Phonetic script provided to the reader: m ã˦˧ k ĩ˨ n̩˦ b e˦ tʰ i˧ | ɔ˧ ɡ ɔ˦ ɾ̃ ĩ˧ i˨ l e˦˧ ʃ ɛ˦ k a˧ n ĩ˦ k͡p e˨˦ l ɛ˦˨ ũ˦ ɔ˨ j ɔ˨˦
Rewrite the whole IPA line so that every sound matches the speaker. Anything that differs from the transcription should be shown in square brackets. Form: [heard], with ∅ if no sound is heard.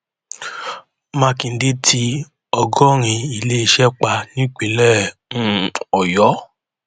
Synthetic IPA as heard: m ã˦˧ k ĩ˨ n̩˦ [d] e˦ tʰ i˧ | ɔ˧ ɡ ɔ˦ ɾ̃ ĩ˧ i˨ l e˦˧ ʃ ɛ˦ [k͡p] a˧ n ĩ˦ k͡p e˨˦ l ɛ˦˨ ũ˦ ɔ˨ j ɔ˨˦